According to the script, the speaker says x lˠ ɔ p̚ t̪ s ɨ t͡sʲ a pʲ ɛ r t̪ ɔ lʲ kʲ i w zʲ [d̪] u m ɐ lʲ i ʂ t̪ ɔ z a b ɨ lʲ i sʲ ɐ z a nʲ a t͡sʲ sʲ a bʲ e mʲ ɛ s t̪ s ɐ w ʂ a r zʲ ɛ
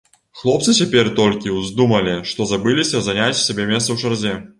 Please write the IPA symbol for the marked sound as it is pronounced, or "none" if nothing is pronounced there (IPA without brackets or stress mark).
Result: d̪